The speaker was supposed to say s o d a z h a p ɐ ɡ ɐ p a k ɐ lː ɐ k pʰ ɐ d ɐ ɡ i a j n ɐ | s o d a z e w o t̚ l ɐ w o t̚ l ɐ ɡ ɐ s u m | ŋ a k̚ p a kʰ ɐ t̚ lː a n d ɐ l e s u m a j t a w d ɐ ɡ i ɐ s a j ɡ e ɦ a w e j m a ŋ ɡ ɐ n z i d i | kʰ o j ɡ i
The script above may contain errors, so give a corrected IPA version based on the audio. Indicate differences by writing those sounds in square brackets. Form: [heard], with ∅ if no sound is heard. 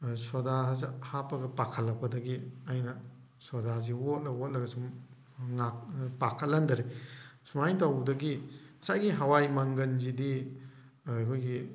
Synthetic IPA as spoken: s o d a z h a p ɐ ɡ ɐ p a [kʰ] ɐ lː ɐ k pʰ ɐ d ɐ ɡ i a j n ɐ | s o d a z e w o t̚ l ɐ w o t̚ l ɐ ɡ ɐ s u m | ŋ a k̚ p a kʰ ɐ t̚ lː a n d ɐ [ɾ] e s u m a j t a w d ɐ ɡ i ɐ s a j ɡ [i] ɦ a w [a] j m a ŋ ɡ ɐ n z i d i | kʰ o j ɡ i